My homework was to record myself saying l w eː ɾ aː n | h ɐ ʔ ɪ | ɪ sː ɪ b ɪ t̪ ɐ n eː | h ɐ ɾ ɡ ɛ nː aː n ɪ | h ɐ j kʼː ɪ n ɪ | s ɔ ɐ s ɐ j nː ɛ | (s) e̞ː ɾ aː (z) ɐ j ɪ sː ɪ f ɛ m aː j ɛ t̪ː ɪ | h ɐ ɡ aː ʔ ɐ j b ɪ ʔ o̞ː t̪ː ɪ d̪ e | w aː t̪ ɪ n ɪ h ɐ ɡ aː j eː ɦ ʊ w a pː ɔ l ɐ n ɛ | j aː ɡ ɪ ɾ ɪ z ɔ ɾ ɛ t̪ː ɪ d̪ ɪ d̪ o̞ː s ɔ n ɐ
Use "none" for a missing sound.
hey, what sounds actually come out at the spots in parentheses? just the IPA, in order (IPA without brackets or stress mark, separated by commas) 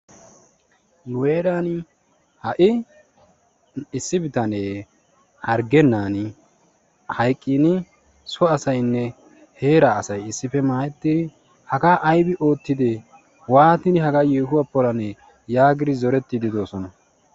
h, s